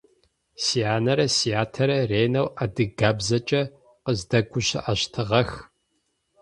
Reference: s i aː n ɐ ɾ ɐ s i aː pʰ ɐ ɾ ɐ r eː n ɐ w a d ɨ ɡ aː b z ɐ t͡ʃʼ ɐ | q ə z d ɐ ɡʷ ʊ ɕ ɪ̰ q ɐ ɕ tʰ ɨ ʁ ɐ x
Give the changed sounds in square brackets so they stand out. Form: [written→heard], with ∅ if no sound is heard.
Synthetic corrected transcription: s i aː n ɐ ɾ ɐ s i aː [pʰ→tʰ] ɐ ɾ ɐ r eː n ɐ w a d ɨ ɡ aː b z ɐ t͡ʃʼ ɐ | q ə z d ɐ ɡʷ ʊ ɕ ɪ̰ [q→ʔ] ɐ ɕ tʰ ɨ ʁ ɐ x